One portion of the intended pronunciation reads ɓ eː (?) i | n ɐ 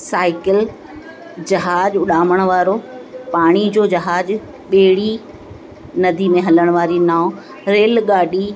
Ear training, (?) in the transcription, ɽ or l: ɽ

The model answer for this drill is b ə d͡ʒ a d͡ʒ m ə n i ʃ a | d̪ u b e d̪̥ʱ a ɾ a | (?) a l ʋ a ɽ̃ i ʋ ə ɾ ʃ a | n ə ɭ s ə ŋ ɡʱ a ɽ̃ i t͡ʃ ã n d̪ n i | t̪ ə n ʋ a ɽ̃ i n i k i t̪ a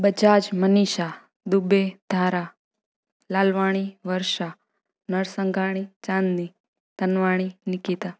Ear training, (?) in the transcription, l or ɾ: l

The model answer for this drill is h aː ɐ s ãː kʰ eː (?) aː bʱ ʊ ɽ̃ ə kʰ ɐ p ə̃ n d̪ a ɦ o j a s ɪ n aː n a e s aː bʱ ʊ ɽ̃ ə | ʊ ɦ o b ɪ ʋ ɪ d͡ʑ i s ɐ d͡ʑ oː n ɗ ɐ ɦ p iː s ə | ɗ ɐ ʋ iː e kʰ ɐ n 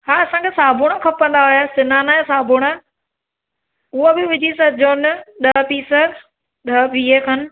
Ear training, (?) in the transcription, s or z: s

